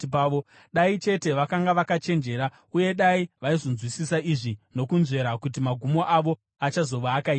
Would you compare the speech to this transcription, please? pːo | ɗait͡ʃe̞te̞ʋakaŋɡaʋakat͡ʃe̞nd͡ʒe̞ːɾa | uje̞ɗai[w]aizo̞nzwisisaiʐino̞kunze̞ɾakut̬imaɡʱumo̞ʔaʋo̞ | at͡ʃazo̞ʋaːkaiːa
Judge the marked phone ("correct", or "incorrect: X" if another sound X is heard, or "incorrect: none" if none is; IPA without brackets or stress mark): incorrect: ʋ